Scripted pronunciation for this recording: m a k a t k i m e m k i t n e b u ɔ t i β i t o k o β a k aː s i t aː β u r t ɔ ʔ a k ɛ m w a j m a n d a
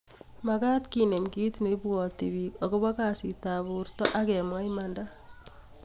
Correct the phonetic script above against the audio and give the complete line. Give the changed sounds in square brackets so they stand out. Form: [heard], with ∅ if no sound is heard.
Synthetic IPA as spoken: m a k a t k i [n] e m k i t n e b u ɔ t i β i [k] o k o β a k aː s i t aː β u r t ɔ ʔ a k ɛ m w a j m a n d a